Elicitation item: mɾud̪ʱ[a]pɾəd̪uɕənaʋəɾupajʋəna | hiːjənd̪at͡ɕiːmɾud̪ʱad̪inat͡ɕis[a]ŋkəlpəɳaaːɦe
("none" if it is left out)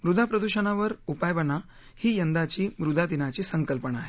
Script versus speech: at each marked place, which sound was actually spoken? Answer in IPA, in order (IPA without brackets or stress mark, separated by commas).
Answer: a, ə